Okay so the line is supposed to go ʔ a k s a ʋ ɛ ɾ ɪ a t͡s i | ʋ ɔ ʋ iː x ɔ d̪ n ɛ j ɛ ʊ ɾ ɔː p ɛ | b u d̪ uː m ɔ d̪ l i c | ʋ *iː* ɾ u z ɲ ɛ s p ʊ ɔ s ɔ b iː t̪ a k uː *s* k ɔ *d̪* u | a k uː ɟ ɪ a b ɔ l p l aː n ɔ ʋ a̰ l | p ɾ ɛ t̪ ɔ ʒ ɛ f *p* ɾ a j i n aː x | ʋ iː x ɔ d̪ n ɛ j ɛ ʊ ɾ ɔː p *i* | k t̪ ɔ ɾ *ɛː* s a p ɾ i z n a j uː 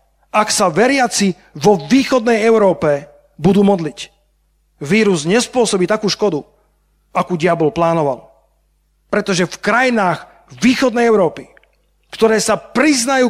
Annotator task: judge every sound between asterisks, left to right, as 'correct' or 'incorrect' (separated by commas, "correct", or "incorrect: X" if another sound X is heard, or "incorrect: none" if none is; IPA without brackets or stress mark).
correct, incorrect: ʃ, correct, incorrect: k, correct, correct